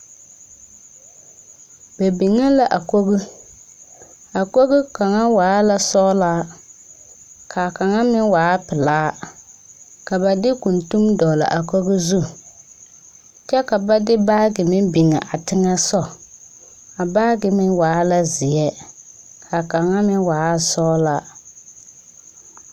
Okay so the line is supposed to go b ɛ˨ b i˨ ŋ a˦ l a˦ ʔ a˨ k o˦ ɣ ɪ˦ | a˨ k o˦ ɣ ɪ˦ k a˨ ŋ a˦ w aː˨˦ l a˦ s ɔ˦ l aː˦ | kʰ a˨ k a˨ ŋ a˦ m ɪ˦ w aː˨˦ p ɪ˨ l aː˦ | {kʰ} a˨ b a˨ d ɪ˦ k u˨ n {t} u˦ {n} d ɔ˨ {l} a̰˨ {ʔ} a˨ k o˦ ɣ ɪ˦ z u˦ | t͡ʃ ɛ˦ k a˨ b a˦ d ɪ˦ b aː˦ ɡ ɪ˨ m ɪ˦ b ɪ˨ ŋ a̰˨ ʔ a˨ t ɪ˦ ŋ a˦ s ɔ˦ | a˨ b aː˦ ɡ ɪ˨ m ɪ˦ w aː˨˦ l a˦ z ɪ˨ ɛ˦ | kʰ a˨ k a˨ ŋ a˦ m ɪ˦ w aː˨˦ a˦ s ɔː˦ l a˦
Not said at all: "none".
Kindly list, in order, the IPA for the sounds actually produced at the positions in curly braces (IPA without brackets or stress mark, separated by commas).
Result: k, t, m, l, ʔ